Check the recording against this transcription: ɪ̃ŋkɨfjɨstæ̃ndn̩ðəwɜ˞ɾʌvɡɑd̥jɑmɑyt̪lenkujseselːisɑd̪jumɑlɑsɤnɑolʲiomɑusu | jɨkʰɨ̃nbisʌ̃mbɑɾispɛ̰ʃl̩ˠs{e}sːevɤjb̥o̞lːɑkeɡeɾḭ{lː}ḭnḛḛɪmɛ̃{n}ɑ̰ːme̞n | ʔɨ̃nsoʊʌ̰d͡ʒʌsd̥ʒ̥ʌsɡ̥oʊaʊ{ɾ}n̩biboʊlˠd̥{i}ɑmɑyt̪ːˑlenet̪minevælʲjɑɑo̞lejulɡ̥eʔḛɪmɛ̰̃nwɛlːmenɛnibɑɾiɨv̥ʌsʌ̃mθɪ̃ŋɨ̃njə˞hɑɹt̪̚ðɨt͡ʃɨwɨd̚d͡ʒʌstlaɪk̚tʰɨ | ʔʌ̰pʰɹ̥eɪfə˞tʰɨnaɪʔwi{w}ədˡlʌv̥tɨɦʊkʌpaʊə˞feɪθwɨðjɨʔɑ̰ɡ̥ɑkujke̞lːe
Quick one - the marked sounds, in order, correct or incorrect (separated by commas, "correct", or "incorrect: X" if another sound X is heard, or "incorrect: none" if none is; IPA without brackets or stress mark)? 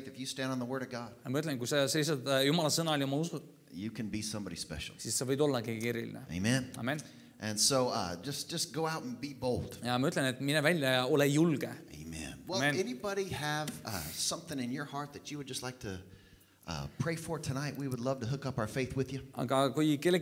incorrect: i, incorrect: l, correct, correct, incorrect: j, correct